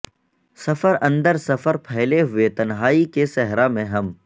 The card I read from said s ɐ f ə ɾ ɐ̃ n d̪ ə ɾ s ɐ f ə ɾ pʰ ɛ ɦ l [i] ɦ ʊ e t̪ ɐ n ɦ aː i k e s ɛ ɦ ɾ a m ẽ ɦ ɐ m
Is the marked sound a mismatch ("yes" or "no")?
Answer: yes